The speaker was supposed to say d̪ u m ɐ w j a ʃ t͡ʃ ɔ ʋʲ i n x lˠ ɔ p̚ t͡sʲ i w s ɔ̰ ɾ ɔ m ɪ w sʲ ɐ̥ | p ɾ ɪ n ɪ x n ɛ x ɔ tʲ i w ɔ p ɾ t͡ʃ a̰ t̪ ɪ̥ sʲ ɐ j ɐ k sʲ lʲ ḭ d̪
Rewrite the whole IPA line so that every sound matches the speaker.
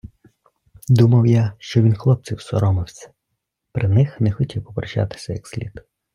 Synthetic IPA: d̪ u m ɐ w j a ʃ t͡ʃ ɔ ʋʲ i n x lˠ ɔ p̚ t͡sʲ i w s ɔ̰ ɾ ɔ m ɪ w sʲ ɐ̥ | p ɾ ɪ n ɪ x n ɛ x ɔ tʲ i w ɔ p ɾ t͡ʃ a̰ t̪ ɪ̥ sʲ ɐ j ɐ k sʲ lʲ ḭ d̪